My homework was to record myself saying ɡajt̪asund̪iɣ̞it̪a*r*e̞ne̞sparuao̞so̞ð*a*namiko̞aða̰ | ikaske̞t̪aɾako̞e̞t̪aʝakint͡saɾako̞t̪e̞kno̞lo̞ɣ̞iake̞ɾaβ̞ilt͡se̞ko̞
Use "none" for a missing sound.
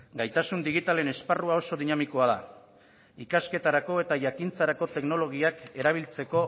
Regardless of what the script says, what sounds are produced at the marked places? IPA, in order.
l, i

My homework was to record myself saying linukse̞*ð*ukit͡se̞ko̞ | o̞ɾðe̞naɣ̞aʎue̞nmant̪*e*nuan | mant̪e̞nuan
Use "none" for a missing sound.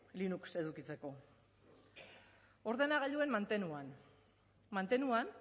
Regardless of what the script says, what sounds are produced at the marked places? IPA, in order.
ð, e

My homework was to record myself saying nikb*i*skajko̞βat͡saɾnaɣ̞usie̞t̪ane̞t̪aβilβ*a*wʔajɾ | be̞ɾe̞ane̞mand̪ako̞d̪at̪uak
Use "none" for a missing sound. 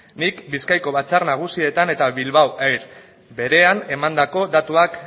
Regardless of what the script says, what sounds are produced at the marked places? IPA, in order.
i, a

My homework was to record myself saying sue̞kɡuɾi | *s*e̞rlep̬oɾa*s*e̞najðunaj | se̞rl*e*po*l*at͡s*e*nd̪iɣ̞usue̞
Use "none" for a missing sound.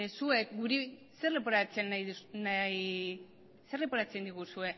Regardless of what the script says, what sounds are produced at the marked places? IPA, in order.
s, t͡s, e, ɾ, e

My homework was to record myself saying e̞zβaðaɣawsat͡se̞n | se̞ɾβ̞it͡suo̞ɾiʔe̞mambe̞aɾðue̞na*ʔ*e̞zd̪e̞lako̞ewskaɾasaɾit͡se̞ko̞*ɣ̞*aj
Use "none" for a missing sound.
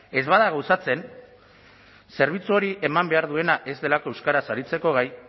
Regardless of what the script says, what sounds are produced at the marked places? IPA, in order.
ʔ, ɣ̞

